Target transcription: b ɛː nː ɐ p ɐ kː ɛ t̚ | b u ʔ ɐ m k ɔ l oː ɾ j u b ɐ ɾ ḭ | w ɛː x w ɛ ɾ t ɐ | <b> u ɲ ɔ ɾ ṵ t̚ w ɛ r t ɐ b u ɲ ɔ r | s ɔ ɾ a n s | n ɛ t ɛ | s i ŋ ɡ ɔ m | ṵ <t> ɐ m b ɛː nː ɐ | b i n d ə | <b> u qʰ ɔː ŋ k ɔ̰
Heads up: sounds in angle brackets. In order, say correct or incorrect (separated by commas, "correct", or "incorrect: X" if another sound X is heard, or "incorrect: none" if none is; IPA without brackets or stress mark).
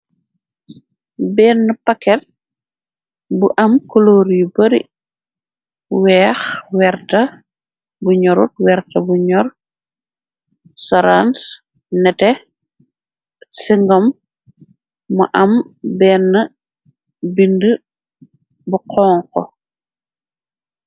correct, incorrect: ʔ, correct